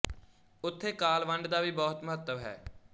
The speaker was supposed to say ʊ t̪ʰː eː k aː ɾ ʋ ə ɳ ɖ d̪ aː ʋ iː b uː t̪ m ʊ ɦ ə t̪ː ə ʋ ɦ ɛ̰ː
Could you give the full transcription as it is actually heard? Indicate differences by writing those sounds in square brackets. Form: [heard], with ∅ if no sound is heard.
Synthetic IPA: ʊ t̪ʰː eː k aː [l] ʋ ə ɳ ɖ d̪ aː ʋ iː b [ɔː] t̪ m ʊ ɦ ə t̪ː ə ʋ ɦ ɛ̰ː